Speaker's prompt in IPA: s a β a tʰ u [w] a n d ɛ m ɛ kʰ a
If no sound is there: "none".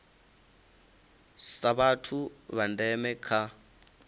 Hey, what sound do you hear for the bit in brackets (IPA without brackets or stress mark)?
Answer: β